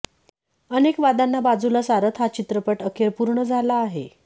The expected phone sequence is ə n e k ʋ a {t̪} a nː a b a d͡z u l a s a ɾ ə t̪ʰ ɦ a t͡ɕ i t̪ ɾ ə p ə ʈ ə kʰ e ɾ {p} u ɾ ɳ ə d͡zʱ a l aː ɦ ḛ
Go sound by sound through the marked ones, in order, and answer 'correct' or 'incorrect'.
incorrect, correct

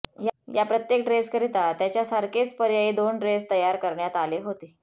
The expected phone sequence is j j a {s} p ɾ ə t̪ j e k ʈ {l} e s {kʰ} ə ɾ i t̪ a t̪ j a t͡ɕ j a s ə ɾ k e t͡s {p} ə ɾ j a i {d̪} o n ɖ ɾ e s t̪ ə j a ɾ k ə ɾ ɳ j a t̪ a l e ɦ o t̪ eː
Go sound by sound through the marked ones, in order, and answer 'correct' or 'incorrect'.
incorrect, incorrect, incorrect, correct, correct

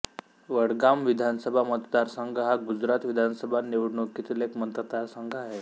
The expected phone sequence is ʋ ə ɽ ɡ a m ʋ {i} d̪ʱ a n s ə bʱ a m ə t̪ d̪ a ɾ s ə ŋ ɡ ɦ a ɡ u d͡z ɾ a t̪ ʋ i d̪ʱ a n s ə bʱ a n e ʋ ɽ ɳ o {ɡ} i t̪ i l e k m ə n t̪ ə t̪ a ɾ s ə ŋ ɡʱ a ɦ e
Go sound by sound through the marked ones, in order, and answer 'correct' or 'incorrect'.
correct, incorrect

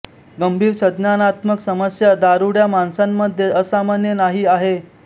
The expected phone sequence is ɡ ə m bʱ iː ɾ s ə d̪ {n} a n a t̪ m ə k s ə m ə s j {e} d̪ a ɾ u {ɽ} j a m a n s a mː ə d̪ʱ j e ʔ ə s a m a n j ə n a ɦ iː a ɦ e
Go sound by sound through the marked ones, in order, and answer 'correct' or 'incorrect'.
correct, incorrect, correct

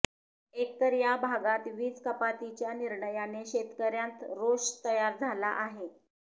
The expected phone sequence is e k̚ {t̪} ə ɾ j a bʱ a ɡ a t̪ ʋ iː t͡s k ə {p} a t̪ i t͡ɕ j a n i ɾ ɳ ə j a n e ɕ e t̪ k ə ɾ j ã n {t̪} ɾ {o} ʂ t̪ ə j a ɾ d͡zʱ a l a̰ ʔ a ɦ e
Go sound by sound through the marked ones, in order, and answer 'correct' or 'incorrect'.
correct, correct, correct, correct

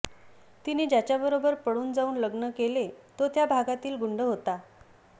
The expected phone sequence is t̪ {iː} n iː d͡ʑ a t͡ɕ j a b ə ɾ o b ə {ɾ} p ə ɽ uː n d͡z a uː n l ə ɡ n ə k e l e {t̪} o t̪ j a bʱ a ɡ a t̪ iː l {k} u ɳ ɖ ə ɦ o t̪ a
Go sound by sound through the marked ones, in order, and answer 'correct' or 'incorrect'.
incorrect, correct, correct, incorrect

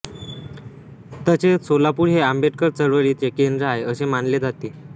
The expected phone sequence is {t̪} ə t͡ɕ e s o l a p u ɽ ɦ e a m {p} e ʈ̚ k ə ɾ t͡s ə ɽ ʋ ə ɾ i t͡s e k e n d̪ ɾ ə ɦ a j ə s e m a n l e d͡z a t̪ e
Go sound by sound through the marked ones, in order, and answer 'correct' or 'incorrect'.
correct, incorrect

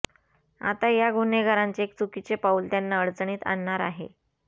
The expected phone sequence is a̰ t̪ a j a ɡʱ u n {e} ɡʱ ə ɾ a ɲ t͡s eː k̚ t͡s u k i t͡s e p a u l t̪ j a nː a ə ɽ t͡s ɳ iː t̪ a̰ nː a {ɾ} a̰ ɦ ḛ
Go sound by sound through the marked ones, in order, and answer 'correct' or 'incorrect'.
correct, correct

